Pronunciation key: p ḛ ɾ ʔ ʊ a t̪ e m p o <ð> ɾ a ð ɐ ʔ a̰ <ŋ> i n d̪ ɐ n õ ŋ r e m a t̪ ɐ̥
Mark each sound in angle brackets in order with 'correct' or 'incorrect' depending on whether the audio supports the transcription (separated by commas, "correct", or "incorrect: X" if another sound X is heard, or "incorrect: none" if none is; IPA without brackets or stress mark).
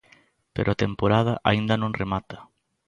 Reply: incorrect: none, incorrect: none